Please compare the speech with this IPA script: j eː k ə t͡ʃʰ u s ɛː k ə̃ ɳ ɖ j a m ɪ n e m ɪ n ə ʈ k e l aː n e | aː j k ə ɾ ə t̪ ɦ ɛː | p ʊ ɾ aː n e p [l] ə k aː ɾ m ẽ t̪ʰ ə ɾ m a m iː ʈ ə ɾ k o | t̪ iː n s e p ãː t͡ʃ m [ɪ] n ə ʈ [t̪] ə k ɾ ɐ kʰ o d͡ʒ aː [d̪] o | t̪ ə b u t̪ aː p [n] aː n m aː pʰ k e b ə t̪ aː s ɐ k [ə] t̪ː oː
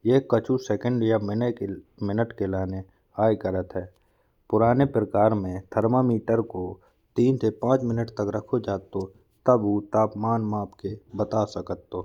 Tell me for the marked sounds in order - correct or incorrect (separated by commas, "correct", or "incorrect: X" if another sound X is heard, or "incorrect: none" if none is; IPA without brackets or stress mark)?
incorrect: ɾ, correct, correct, incorrect: t̪, incorrect: m, correct